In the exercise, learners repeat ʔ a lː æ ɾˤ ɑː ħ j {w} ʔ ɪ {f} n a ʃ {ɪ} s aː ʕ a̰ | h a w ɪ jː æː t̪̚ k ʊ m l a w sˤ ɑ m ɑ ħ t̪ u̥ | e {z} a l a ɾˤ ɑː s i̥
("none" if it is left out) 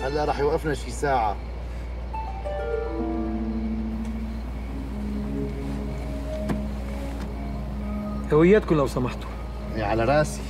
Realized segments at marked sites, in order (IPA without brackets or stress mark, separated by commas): w, f, i, ʕ